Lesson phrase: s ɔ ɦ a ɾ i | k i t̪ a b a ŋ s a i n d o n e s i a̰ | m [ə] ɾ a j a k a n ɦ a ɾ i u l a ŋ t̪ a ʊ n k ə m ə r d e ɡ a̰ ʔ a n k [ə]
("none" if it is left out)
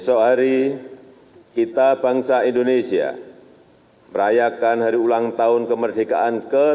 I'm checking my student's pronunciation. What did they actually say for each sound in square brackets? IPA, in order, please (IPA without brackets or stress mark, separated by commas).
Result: ə, ə